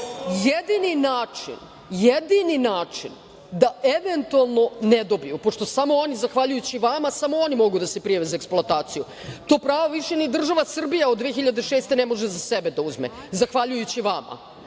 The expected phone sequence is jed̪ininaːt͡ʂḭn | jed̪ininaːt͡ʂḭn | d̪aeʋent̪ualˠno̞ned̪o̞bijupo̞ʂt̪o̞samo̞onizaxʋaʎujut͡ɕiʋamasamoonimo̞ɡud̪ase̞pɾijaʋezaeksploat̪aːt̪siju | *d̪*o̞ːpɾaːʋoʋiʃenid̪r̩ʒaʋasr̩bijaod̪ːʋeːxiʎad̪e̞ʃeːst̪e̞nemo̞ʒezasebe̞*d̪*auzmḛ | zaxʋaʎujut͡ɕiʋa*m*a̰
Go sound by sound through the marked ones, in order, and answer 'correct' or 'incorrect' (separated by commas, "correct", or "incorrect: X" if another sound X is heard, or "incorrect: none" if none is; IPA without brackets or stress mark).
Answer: incorrect: t̪, correct, correct